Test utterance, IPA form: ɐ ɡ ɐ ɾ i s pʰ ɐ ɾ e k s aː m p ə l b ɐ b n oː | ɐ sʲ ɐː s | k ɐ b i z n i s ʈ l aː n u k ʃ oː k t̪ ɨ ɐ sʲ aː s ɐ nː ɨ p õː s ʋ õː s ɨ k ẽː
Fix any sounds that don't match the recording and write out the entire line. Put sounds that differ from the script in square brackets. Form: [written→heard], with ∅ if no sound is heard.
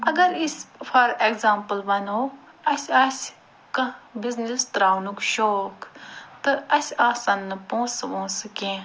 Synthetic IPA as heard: ɐ ɡ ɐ ɾ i s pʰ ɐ ɾ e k [s→z] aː m p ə l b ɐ [b→∅] n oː | ɐ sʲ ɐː s | k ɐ b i z n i s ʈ [l→ɾ] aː n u k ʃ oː k t̪ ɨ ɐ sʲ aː s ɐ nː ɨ p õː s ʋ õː s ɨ k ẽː

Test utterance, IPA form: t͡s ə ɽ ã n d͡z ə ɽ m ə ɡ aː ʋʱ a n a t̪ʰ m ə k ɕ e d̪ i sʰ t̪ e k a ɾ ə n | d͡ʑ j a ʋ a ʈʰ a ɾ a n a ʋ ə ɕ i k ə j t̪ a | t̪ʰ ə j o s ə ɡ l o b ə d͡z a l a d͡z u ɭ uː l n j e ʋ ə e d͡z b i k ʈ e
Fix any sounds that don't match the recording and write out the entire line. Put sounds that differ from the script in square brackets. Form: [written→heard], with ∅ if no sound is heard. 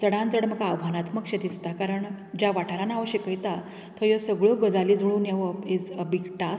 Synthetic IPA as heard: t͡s ə ɽ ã n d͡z ə ɽ m ə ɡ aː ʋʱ a n a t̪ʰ m ə k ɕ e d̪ i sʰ t̪ [e→a] k a ɾ ə [n→ɳ] | d͡ʑ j a ʋ a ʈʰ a ɾ a n a ʋ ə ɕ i k ə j t̪ a | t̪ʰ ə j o s ə ɡ [l→ɭ] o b ə d͡z a l [a→i] d͡z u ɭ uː [l→∅] n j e ʋ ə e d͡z b i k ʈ [e→a]

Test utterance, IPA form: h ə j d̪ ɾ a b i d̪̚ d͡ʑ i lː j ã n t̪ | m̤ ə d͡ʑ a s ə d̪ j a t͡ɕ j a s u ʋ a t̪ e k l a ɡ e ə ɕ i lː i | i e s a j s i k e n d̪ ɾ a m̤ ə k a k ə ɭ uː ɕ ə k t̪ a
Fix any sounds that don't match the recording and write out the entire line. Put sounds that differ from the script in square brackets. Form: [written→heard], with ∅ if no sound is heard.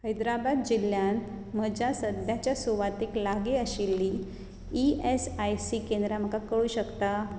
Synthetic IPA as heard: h ə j d̪ ɾ a b [i→a] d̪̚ d͡ʑ i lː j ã n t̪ | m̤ ə d͡ʑ a s ə d̪ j a t͡ɕ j a s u ʋ a t̪ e k l a ɡ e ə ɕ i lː i | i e s a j s i k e n d̪ ɾ a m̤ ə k a k ə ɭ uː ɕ ə k t̪ a

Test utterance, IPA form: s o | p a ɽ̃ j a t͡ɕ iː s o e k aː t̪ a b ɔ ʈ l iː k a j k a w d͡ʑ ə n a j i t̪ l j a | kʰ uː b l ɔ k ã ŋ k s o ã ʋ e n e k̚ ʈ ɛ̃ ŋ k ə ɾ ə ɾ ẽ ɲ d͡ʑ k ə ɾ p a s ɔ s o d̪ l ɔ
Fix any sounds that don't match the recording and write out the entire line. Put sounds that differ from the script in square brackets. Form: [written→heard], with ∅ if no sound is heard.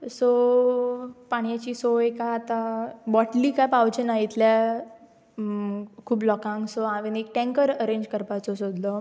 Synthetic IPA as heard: s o | p a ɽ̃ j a t͡ɕ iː s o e k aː t̪ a b ɔ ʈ l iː k a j [k→p] a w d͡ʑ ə n a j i t̪ l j a | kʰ uː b l ɔ k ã ŋ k s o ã ʋ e n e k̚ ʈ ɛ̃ ŋ k ə ɾ ə ɾ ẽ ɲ d͡ʑ k ə ɾ p a [s→t͡s] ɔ s o d̪ l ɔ

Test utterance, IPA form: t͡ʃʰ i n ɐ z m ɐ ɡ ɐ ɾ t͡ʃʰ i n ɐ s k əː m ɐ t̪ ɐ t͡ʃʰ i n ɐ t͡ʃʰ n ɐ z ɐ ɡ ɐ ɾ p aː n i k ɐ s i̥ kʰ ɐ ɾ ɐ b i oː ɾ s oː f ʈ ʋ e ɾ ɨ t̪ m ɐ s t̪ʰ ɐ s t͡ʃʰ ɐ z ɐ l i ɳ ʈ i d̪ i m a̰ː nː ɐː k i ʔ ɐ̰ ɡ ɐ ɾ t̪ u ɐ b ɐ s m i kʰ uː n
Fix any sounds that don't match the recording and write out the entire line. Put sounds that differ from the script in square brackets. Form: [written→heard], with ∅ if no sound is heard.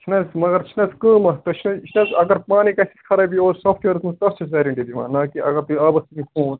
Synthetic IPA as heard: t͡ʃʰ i n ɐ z m ɐ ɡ ɐ ɾ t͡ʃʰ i n ɐ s k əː m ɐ t̪ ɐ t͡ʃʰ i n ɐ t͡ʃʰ n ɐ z ɐ ɡ ɐ ɾ p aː n i k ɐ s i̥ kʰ ɐ ɾ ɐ b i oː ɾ s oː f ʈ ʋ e ɾ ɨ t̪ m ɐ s [t̪ʰ→t̪] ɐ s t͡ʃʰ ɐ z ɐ [l→ɾ] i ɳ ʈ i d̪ i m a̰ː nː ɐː k i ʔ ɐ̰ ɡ ɐ ɾ t̪ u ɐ b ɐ s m i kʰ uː n

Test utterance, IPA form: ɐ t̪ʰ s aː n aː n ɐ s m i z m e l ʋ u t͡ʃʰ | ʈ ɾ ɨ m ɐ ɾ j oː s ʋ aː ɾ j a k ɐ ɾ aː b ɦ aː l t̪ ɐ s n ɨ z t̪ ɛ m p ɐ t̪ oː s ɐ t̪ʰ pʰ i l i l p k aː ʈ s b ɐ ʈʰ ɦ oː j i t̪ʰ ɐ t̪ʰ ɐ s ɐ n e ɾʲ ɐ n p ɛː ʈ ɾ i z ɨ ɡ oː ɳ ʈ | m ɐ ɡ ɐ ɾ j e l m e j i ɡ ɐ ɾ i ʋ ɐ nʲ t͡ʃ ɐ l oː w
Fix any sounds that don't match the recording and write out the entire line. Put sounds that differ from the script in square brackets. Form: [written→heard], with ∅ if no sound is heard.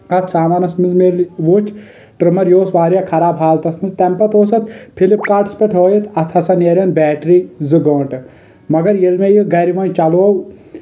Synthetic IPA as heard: ɐ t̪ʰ s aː [n→m] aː n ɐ s m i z m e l ʋ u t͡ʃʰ | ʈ ɾ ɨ m ɐ ɾ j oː s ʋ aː ɾ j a [k→kʰ] ɐ ɾ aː b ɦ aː l t̪ ɐ s n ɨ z t̪ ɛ m p ɐ t̪ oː s ɐ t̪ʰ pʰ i l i [l→∅] p k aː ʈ s [b→p] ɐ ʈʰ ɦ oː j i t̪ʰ ɐ t̪ʰ ɐ s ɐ n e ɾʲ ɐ n [p→b] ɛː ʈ ɾ i z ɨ ɡ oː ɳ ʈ | m ɐ ɡ ɐ ɾ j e l m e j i ɡ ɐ ɾ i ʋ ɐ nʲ t͡ʃ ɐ l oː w

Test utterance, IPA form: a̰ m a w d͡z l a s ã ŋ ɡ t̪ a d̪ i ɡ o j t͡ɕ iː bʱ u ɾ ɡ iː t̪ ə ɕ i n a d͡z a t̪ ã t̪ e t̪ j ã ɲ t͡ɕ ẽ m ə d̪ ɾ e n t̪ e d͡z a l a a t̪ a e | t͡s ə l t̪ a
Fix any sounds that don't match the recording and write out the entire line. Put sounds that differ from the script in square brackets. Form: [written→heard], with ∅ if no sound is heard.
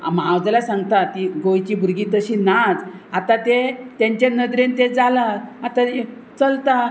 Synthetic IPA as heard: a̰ m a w d͡z l a s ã ŋ ɡ t̪ a [d̪→t̪] i ɡ o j t͡ɕ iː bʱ u ɾ ɡ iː t̪ ə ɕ i n a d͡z a t̪ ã t̪ e t̪ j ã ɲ t͡ɕ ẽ [m→n] ə d̪ ɾ e n t̪ e d͡z a l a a t̪ a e | t͡s ə l t̪ a

